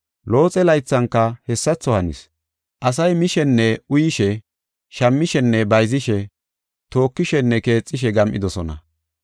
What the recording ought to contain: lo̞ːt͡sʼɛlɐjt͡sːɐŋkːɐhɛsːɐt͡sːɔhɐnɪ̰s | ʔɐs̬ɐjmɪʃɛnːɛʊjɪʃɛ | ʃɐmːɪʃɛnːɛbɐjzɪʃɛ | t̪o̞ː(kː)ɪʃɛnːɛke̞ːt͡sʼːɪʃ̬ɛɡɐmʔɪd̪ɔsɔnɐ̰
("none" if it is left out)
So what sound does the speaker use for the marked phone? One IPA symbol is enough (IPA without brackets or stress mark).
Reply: kː